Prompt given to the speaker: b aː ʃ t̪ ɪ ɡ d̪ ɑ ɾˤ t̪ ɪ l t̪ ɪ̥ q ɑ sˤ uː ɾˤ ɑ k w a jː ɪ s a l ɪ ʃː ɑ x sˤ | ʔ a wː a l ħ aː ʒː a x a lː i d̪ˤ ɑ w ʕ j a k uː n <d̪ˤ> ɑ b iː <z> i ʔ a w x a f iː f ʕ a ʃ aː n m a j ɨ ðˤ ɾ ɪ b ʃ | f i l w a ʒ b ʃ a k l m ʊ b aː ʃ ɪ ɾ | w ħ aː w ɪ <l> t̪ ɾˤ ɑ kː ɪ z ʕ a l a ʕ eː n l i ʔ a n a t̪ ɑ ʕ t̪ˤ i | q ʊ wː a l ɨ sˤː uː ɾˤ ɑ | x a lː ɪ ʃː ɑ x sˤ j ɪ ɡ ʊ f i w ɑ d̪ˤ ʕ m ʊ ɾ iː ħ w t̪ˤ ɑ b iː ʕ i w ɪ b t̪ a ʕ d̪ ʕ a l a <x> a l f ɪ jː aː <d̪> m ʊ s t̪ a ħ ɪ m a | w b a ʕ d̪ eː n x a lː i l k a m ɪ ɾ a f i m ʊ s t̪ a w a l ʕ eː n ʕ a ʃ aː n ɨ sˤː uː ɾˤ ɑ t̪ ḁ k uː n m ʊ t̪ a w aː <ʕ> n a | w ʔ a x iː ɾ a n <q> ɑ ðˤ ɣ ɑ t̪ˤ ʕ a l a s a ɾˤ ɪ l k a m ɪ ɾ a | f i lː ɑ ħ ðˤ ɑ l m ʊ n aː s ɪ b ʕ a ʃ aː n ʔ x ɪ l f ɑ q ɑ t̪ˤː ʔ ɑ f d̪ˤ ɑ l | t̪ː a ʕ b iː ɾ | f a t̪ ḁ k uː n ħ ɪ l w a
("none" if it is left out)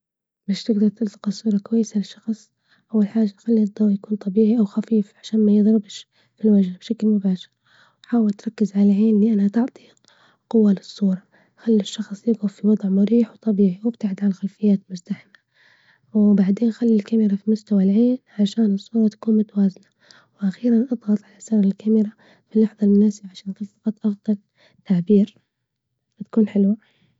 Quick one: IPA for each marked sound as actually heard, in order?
t̪ˤ, ʕ, l, x, t̪, z, ʔ

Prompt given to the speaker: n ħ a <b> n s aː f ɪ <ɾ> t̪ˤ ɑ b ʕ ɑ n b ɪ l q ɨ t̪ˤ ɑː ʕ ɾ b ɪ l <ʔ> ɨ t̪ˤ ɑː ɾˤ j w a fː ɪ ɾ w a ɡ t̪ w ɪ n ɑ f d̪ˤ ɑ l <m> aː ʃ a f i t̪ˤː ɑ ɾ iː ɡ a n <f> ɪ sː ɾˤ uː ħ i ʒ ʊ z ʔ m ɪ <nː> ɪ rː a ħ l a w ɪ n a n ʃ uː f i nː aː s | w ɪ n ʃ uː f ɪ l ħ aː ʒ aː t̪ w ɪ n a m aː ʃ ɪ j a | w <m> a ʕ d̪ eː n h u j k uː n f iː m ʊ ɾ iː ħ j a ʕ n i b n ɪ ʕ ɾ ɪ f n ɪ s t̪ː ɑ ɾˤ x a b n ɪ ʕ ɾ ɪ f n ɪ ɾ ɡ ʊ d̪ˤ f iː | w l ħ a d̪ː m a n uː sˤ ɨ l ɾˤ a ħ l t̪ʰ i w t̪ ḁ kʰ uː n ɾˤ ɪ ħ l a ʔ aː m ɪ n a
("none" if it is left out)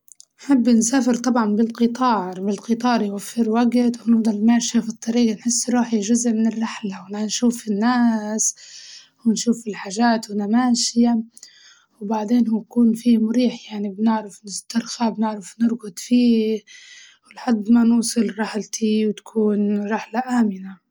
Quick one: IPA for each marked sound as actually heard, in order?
bː, ɾ, q, m, ħ, n, b

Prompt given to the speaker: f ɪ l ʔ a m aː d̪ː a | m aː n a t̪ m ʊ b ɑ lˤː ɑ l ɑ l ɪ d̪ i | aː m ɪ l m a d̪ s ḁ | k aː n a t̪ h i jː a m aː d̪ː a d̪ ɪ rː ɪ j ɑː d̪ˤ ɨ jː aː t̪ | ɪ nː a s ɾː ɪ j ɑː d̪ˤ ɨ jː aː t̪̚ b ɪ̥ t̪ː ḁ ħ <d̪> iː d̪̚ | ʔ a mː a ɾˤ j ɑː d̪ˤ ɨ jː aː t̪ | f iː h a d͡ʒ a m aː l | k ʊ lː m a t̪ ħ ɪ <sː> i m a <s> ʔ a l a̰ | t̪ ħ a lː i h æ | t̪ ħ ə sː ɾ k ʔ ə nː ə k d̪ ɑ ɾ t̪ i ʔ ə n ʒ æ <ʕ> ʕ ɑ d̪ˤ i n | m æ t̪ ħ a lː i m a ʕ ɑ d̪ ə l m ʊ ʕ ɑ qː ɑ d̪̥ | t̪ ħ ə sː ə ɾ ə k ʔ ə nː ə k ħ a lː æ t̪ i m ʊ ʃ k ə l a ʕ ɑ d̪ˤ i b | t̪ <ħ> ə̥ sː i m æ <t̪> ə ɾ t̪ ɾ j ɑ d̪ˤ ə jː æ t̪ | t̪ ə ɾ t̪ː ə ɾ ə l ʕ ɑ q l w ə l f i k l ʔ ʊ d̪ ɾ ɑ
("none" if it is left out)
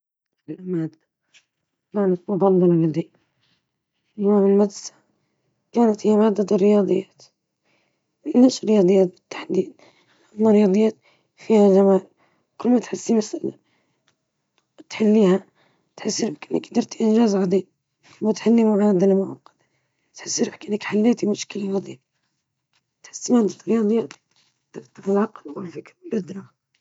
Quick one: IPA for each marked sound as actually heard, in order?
d̪, sː, s, z, ħ, d̪

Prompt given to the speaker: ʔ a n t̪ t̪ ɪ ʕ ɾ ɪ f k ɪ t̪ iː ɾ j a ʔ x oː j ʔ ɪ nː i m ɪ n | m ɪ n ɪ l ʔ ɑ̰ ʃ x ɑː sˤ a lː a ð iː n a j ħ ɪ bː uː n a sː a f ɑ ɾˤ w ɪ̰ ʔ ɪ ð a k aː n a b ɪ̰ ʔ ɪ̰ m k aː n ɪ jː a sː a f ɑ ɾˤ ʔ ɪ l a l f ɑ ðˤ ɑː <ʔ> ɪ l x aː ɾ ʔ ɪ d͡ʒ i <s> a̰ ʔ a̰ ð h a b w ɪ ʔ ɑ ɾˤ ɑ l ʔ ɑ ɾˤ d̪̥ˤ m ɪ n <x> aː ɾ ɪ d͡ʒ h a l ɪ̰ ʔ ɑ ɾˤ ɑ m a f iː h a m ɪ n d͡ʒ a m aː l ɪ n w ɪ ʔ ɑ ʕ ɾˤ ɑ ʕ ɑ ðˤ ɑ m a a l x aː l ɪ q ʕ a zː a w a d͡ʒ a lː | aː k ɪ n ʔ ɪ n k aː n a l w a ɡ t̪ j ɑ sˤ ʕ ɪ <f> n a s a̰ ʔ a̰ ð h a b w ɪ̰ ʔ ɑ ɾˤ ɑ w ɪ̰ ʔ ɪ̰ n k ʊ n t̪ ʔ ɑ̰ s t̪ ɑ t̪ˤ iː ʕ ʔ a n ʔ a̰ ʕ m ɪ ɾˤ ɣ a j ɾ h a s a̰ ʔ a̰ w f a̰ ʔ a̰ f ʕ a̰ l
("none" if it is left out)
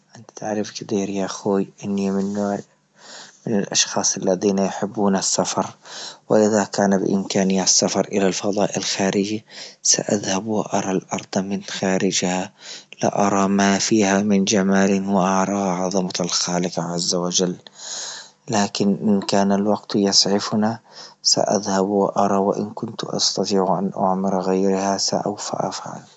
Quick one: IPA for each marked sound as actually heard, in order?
ʔ, s, x, f

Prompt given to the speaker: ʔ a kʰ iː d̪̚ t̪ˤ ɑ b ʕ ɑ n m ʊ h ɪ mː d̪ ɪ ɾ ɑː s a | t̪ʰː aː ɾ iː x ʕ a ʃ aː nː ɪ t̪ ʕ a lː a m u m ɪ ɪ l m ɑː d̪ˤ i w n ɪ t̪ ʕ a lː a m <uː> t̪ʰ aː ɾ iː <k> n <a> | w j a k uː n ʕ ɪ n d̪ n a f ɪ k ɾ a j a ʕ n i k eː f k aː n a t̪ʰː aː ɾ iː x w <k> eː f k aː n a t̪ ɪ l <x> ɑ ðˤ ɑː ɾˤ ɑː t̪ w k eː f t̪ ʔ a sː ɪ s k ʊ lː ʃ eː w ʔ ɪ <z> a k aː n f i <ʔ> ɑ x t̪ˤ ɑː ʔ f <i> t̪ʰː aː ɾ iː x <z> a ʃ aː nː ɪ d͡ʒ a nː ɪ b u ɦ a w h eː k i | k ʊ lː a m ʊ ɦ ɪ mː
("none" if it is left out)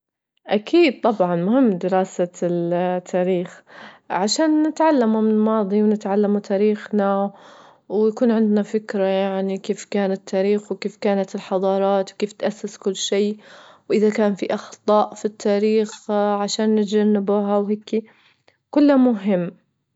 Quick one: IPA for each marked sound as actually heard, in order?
u, x, a, k, ħ, ð, ʔ, i, ʕ

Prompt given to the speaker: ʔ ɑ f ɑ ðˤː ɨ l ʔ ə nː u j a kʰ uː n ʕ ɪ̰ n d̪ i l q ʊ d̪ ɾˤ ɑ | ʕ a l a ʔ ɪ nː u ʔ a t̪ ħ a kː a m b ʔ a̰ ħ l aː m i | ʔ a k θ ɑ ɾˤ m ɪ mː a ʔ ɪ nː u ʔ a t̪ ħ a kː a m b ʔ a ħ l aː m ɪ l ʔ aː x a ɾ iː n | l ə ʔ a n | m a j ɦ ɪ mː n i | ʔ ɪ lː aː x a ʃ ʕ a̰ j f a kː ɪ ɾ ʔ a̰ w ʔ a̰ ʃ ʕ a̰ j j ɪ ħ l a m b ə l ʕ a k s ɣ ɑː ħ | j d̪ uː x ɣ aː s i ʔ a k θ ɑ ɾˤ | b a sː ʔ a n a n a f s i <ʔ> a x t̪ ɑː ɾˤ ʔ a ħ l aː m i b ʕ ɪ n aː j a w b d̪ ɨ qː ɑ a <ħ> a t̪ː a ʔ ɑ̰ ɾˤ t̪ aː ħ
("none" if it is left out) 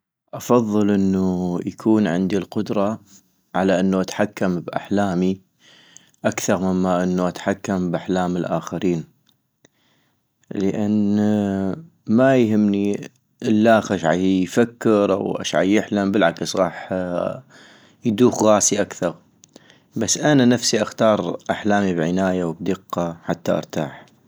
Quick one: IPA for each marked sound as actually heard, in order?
ʔ, ħ

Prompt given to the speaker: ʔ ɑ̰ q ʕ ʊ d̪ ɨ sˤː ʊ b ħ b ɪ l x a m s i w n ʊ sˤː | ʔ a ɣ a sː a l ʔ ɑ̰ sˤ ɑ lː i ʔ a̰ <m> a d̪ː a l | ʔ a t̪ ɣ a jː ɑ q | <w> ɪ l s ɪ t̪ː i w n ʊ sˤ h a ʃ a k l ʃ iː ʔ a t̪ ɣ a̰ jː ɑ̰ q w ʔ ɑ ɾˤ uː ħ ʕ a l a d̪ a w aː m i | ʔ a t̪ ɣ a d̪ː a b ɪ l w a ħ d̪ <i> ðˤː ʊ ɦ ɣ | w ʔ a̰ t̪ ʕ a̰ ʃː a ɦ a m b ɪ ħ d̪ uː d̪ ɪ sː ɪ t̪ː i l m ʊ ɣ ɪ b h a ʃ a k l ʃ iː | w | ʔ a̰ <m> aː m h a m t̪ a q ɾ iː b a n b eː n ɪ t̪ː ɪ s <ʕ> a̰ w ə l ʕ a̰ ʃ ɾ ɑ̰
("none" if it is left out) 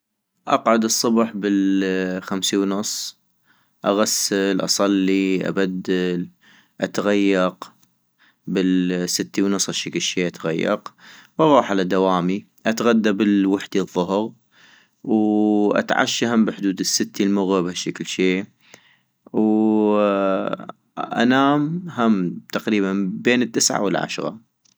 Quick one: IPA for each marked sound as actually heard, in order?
b, b, i, n, ʕ

